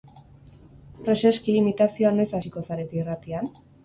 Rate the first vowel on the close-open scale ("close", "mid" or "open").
mid